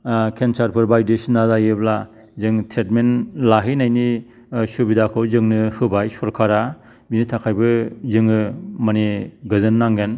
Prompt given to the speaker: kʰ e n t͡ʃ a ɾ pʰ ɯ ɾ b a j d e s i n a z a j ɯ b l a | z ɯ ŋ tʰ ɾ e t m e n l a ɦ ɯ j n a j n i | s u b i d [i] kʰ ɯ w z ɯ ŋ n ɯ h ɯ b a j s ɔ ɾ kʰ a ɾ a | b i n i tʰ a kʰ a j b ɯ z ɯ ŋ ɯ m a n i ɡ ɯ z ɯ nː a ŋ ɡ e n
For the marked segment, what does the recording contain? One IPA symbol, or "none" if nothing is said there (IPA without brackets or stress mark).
a